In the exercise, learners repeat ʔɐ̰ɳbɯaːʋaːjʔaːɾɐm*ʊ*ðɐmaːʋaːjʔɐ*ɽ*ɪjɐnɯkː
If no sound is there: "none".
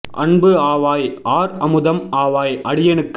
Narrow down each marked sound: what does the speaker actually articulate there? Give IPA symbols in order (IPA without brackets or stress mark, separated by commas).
ɯ, ɽ